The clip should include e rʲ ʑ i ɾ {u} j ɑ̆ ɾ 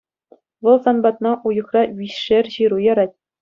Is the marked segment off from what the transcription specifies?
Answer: no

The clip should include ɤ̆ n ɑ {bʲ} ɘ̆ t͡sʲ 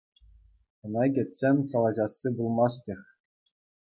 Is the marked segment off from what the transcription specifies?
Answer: yes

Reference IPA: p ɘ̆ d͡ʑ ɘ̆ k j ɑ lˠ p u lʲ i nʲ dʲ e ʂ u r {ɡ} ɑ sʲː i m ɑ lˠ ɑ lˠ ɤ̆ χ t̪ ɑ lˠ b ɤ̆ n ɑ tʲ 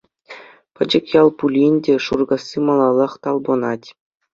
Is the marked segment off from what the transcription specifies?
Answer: no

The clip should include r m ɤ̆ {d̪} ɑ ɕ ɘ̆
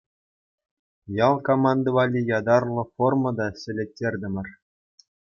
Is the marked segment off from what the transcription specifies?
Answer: no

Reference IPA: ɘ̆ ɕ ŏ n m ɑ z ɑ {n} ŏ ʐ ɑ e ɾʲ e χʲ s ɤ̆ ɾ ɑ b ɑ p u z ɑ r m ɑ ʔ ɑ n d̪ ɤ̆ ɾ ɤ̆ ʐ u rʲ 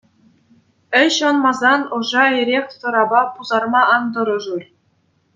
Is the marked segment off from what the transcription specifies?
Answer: no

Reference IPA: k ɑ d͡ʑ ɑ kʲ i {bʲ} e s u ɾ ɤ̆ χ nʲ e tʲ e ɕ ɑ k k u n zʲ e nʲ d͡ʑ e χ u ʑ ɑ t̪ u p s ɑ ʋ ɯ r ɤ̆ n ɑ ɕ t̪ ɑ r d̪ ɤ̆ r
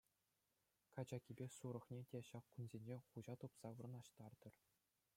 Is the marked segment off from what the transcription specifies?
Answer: no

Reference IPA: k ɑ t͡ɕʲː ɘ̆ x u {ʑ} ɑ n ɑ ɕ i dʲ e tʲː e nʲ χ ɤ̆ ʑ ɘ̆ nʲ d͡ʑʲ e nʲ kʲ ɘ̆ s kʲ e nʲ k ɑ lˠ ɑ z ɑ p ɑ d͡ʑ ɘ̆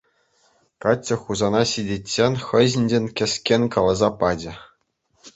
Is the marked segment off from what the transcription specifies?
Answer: yes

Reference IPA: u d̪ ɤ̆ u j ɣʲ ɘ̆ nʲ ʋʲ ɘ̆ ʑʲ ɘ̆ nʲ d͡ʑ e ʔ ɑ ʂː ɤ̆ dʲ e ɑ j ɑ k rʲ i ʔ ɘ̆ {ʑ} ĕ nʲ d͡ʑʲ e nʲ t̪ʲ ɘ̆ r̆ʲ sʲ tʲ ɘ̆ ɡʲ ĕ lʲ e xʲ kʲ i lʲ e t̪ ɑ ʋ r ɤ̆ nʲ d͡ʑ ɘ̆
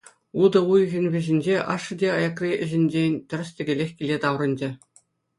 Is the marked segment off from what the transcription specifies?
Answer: no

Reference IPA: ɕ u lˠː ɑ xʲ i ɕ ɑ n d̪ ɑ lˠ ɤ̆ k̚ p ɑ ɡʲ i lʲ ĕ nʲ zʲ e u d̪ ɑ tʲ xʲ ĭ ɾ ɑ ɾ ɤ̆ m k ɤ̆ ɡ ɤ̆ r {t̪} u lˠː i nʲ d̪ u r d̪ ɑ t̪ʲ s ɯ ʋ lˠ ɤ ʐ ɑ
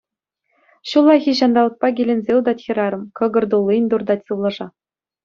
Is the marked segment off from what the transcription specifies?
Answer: yes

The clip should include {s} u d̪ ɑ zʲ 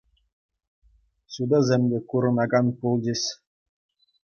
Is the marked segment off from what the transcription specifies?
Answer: no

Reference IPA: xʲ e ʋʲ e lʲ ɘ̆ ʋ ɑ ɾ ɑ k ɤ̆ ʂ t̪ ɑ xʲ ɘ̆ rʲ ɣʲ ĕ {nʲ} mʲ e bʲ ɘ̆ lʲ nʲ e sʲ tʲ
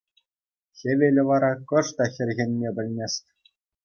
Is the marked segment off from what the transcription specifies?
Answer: no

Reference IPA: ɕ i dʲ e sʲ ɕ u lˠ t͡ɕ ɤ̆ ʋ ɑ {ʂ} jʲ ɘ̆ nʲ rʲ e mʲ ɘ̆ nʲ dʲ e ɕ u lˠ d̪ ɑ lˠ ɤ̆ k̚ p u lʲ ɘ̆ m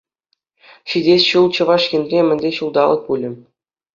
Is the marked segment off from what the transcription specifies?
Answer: no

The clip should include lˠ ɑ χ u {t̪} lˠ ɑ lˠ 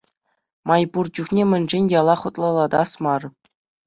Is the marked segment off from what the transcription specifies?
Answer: no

